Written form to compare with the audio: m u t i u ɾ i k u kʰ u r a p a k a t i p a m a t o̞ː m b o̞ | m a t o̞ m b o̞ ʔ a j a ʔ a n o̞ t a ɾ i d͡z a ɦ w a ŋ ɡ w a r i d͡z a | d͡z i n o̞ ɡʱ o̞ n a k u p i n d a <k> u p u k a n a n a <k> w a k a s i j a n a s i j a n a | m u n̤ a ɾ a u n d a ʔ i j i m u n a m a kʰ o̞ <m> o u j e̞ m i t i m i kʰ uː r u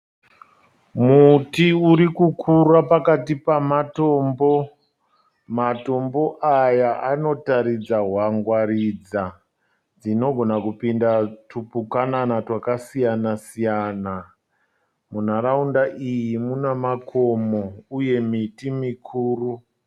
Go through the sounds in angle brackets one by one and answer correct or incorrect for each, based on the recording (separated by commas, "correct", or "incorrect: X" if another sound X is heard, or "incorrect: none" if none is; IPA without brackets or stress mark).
incorrect: t, incorrect: t, correct